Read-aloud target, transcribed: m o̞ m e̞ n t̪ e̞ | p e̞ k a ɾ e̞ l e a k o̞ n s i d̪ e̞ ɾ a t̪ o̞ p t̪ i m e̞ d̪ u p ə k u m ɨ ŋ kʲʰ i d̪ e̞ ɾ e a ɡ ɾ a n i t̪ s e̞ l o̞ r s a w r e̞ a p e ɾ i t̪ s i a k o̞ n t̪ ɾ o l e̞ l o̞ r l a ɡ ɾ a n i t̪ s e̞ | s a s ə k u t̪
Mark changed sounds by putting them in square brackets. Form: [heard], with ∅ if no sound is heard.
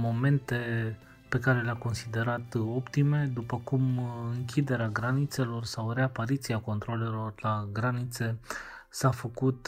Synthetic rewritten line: m o̞ m e̞ n t̪ e̞ | p e̞ k a ɾ e̞ l e a k o̞ n s i d̪ e̞ ɾ a t̪ o̞ p t̪ i m e̞ d̪ u p ə k u m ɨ ŋ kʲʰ i d̪ e̞ ɾ e a ɡ ɾ a n i t̪ s e̞ l o̞ r s a w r e̞ a p [a] ɾ i t̪ s i a k o̞ n t̪ ɾ o l e̞ l o̞ r l a ɡ ɾ a n i t̪ s e̞ | s a [f] ə k u t̪